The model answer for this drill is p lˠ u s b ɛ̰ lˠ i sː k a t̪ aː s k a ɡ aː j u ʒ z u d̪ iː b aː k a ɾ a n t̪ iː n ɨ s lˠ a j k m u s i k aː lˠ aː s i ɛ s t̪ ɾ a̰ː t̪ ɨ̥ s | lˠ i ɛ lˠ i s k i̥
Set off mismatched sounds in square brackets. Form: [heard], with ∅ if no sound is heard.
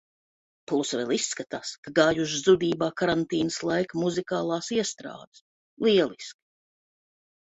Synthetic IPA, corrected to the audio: p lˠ u s [v] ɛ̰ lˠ i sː k a t̪ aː s k a ɡ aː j u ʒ z u d̪ iː b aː k a ɾ a n t̪ iː n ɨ s lˠ a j k m u [z] i k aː lˠ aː s i ɛ s t̪ ɾ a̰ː [d̪] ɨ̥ s | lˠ i ɛ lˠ i s k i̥